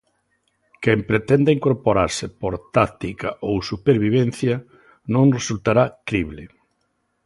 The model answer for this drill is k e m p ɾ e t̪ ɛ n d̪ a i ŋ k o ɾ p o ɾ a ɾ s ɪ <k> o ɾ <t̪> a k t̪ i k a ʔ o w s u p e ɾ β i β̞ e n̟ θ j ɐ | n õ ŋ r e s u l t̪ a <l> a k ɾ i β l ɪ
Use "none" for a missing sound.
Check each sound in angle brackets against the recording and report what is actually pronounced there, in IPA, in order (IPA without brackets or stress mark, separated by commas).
p, t̪, ɾ